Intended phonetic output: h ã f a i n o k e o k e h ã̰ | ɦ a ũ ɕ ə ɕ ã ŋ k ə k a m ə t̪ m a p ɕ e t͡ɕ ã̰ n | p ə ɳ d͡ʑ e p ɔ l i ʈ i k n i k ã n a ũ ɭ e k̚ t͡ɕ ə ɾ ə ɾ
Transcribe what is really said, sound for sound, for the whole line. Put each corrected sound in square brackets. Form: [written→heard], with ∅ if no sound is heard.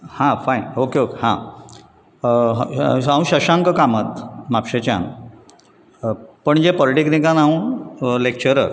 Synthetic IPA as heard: h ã f a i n o k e o k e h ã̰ | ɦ a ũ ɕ ə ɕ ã ŋ k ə k a m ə t̪ m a p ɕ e t͡ɕ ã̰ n | p ə ɳ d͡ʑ e p ɔ l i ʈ i k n i k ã n a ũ [ɭ→l] e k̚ t͡ɕ ə ɾ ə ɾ